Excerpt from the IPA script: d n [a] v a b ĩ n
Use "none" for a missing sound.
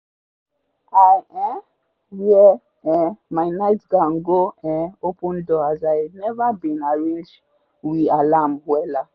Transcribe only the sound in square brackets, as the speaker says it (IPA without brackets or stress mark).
ɛ